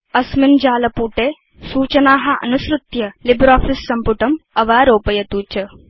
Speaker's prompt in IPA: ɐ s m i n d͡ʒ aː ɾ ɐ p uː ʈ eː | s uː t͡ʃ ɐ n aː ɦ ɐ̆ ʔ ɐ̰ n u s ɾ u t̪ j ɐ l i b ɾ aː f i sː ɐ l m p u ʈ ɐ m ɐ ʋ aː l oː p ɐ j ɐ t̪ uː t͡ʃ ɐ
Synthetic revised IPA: ɐ s m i n d͡ʒ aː l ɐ p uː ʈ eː | s uː t͡ʃ ɐ n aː ɦ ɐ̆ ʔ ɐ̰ n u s ɾ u t̪ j ɐ l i b ɾ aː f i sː ɐ m p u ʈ ɐ m ɐ ʋ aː ɾ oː p ɐ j ɐ t̪ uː t͡ʃ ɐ